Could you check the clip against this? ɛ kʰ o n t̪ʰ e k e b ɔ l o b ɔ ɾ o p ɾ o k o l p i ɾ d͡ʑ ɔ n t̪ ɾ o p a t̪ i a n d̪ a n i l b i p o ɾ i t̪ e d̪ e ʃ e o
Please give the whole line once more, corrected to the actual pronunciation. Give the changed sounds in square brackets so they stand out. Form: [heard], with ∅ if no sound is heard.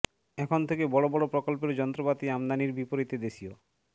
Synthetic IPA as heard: ɛ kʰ o n t̪ʰ e k e b ɔ [ɽ] o b ɔ [ɽ] o p ɾ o k o l p [e] ɾ d͡ʑ ɔ n t̪ ɾ o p a t̪ i a [m] d̪ a n i [ɾ] b i p o ɾ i t̪ e d̪ e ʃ [i] o